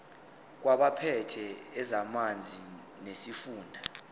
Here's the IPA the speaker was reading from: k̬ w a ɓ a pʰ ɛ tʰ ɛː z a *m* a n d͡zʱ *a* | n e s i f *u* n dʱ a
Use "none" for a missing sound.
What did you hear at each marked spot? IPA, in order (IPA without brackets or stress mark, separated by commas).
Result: m, i, uː